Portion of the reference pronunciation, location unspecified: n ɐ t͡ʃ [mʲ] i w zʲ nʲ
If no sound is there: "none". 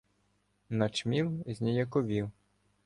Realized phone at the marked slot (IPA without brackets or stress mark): mʲ